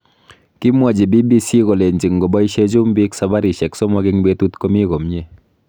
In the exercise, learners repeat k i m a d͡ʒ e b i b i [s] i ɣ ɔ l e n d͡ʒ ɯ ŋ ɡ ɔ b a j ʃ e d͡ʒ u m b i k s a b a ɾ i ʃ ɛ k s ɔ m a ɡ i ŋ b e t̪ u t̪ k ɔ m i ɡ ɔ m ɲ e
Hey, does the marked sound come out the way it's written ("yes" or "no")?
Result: yes